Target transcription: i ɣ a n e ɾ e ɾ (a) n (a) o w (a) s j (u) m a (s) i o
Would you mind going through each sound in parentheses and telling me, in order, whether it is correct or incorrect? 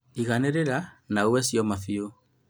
correct, correct, incorrect, incorrect, incorrect

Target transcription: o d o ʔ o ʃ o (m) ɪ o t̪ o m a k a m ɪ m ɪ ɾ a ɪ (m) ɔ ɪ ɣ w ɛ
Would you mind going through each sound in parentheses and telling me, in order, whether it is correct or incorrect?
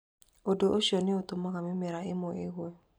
incorrect, correct

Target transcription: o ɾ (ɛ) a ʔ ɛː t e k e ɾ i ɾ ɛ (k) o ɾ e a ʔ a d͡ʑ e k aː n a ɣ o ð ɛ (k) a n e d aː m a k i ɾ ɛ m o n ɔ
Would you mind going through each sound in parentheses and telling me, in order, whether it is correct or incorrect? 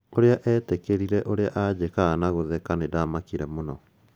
incorrect, incorrect, correct

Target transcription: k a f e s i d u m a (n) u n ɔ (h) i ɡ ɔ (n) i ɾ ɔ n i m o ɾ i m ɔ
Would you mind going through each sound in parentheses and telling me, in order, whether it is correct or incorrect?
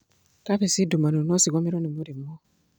correct, incorrect, incorrect

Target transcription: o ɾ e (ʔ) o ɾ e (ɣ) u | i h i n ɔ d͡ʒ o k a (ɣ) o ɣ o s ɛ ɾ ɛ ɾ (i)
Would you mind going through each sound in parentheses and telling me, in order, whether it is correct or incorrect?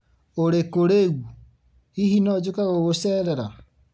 incorrect, correct, correct, incorrect

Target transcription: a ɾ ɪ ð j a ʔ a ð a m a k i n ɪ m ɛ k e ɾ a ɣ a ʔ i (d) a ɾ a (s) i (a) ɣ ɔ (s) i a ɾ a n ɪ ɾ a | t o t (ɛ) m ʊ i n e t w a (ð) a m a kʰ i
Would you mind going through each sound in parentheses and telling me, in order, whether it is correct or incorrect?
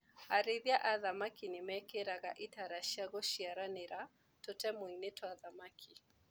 incorrect, incorrect, correct, incorrect, correct, correct

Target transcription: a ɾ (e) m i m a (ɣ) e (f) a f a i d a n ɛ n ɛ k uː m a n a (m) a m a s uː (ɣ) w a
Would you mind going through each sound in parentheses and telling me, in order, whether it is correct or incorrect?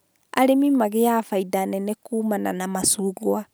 correct, correct, incorrect, incorrect, correct

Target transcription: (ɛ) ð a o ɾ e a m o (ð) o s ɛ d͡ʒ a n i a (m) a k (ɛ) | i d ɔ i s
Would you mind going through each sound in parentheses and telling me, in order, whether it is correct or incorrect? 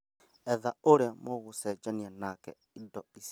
correct, incorrect, incorrect, correct

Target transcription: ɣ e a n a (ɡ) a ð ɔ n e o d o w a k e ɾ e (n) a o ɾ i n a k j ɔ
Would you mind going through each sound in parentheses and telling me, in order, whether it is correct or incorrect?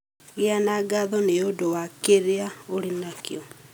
correct, incorrect

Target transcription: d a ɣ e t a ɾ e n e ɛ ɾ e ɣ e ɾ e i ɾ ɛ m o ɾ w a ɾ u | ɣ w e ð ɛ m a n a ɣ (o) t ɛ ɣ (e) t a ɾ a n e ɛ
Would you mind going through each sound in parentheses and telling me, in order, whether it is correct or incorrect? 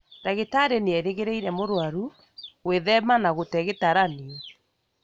correct, correct

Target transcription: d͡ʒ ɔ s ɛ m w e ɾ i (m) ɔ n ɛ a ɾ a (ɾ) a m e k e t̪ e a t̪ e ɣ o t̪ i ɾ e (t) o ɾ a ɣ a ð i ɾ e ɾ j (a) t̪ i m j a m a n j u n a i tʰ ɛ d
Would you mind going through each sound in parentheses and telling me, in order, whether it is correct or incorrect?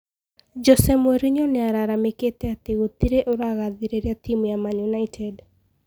incorrect, correct, incorrect, correct

